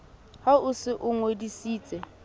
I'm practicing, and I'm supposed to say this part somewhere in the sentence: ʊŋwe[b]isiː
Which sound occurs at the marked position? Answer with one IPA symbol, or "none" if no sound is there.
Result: d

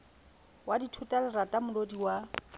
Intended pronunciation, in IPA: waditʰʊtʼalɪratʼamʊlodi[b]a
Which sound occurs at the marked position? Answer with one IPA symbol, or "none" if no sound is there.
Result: w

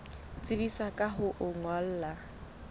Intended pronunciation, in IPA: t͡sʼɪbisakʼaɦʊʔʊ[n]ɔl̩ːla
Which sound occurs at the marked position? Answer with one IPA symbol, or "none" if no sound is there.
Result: ŋ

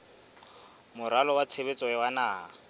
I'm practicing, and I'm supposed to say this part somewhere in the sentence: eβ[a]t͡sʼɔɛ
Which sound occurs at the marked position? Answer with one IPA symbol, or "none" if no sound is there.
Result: e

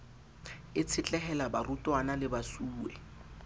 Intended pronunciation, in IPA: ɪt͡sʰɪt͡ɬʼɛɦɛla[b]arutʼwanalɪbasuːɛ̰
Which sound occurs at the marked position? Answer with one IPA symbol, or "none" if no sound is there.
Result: b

